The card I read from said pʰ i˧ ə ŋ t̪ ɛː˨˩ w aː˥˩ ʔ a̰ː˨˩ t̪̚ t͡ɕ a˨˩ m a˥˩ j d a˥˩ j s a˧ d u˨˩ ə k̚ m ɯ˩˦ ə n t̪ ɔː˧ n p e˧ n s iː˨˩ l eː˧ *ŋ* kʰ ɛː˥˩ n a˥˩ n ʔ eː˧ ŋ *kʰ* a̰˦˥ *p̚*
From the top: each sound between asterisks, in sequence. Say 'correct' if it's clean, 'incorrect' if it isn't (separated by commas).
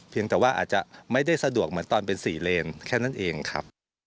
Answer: incorrect, correct, correct